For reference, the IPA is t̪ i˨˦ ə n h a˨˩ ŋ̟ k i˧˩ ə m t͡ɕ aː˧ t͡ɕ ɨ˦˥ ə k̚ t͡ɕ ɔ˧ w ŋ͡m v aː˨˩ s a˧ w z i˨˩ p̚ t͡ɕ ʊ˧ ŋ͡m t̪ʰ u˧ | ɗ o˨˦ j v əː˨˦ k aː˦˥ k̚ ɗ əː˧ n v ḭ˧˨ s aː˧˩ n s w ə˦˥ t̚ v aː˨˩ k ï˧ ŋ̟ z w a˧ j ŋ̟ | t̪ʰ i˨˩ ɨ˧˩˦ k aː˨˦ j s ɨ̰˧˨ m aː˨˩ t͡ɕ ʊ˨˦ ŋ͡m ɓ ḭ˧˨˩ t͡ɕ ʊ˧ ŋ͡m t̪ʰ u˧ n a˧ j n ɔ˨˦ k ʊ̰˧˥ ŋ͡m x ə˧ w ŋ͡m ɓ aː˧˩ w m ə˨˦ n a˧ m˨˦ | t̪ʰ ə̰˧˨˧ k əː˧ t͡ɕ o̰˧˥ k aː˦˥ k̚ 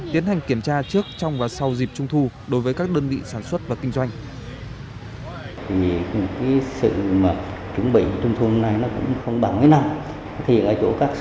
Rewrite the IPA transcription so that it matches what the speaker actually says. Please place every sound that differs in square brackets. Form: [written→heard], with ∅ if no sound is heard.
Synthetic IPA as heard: t̪ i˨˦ ə n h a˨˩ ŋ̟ k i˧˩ ə m t͡ɕ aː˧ t͡ɕ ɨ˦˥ ə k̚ t͡ɕ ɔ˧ w ŋ͡m v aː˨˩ s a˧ w z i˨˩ p̚ t͡ɕ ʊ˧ ŋ͡m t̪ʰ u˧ | ɗ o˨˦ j v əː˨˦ k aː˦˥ k̚ ɗ əː˧ n v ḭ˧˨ s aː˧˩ n s w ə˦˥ t̚ v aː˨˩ k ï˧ ŋ̟ z w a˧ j ŋ̟ | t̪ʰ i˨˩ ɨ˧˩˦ k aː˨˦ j s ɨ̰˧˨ m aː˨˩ t͡ɕ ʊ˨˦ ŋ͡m ɓ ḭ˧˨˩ t͡ɕ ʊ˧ ŋ͡m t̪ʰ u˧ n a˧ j n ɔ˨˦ k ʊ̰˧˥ ŋ͡m x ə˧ w ŋ͡m ɓ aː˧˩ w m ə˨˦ n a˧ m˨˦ | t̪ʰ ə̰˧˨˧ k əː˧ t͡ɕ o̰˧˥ k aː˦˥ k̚